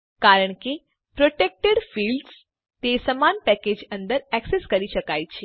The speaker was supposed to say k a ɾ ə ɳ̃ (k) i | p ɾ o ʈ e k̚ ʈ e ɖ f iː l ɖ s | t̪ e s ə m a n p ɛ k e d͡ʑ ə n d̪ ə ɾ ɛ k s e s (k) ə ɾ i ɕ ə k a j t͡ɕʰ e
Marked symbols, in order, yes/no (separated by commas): yes, yes